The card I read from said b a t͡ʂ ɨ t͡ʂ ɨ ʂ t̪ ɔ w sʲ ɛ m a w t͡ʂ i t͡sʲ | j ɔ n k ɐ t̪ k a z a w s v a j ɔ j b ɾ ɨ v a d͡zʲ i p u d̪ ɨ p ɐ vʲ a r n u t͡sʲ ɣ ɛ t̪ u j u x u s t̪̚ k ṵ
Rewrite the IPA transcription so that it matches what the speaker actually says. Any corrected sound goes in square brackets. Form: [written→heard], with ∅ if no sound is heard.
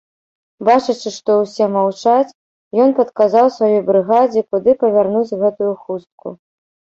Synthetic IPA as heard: b a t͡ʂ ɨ t͡ʂ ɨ ʂ t̪ ɔ w sʲ ɛ m a w t͡ʂ [i→a] t͡sʲ | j ɔ n [k→p] ɐ t̪ k a z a w s v a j ɔ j b ɾ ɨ [v→ɣ] a d͡zʲ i [p→k] u d̪ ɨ p ɐ vʲ a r n u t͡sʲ ɣ ɛ t̪ u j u x u s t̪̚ k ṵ